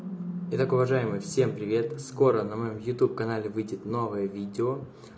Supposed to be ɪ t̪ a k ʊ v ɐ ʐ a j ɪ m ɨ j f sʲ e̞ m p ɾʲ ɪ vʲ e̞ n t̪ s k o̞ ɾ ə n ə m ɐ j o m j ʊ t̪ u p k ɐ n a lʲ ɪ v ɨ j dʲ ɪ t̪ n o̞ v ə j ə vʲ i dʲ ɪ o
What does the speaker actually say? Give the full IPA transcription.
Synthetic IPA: ɪ t̪ a k ʊ v ɐ ʐ a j ɪ m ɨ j f sʲ e̞ m p ɾʲ ɪ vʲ e̞ t̪ s k o̞ ɾ ə n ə m ɐ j o m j ʊ t̪ u p k ɐ n a lʲ ɪ v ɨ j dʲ ɪ t̪ n o̞ v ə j ə vʲ i dʲ ɪ o

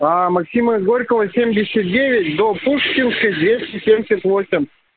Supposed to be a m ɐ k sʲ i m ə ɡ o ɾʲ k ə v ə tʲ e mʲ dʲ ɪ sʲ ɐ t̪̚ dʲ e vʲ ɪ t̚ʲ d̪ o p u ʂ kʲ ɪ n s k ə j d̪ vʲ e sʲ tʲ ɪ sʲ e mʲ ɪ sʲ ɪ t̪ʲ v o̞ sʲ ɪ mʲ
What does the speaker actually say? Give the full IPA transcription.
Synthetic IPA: a m ɐ k sʲ i m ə ɡ o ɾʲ k ə v ə sʲ e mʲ dʲ ɪ sʲ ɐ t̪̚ dʲ e vʲ ɪ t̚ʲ d̪ o p u ʂ kʲ ɪ n s k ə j d̪ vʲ e sʲ tʲ ɪ sʲ e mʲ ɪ sʲ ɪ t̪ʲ v o̞ sʲ ɪ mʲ

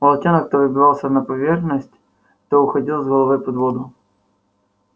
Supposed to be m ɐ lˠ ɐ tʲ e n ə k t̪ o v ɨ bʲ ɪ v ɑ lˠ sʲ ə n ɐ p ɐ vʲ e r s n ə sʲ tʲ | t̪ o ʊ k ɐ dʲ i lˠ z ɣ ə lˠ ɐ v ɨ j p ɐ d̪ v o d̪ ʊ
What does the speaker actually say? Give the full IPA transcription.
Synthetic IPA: m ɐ lˠ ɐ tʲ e n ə k t̪ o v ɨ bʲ ɪ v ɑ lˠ sʲ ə n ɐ p ɐ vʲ e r x n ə sʲ tʲ | t̪ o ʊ x ɐ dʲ i lˠ z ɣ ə lˠ ɐ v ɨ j p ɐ d̪ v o d̪ ʊ

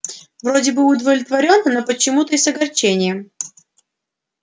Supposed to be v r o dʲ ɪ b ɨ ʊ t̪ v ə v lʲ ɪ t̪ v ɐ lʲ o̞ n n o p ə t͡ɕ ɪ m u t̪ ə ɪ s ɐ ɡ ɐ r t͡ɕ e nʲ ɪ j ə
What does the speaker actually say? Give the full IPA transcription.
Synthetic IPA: v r o dʲ ɪ b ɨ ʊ d̪ v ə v lʲ ɪ t̪ v ɐ ɾʲ o̞ n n o p ə t͡ɕ ɪ m u t̪ ə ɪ s ɐ ɡ ɐ r t͡ɕ e nʲ ɪ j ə

